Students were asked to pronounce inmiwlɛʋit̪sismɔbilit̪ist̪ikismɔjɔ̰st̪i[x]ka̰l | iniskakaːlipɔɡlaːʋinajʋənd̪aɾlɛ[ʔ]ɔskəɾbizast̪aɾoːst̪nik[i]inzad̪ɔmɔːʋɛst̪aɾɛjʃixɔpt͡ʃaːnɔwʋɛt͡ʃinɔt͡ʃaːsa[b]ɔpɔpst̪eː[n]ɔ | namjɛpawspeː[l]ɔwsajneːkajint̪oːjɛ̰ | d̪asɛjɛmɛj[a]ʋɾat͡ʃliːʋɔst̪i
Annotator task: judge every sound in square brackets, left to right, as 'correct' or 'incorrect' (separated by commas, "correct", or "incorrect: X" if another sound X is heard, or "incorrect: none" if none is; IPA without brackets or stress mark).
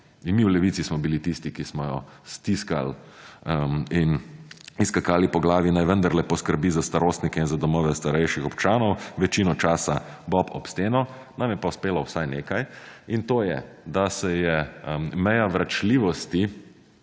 incorrect: s, incorrect: p, incorrect: ɛ, correct, correct, correct, correct